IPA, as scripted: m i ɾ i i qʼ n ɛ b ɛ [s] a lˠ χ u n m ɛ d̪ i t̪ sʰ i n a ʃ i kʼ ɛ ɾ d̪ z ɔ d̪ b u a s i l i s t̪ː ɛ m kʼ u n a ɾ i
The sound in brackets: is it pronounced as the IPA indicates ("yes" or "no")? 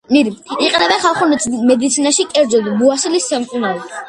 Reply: no